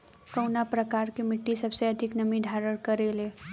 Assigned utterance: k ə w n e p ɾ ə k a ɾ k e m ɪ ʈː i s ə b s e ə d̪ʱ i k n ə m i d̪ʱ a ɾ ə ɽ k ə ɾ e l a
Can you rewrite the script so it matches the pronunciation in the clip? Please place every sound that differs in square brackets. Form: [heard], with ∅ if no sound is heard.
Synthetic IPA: k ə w n [a] p ɾ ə k a ɾ k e m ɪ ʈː i s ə b s e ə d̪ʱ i k n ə m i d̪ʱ a ɾ ə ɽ k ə ɾ e l [e]